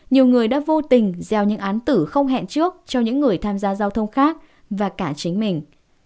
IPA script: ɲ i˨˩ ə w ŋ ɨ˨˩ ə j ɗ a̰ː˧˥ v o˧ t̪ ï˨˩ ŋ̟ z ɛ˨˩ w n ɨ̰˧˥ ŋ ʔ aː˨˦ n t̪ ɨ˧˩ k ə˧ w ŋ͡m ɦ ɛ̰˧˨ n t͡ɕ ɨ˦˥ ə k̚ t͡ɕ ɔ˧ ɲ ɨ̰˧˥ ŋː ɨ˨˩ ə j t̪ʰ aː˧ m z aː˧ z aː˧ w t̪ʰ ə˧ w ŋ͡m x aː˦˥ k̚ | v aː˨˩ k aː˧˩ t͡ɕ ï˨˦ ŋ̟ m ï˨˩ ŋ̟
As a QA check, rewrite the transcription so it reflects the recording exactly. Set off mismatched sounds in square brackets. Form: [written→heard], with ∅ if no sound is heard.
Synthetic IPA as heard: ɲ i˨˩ ə w ŋ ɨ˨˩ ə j ɗ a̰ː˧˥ v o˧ t̪ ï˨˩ ŋ̟ z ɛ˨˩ w [n→ɲ] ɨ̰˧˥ ŋ ʔ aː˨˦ n t̪ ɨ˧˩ [k→x] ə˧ w ŋ͡m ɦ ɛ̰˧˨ n t͡ɕ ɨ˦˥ ə k̚ t͡ɕ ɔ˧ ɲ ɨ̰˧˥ ŋː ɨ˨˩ ə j t̪ʰ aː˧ m z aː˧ z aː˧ w t̪ʰ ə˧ w ŋ͡m x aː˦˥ k̚ | v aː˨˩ k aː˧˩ t͡ɕ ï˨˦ ŋ̟ m ï˨˩ ŋ̟